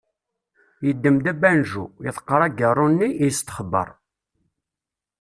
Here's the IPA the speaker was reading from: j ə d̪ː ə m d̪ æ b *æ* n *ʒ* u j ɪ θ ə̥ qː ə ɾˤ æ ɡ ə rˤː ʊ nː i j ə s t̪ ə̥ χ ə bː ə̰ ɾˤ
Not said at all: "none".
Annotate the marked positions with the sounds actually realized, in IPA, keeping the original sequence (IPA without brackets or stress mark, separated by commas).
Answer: æ, ʒ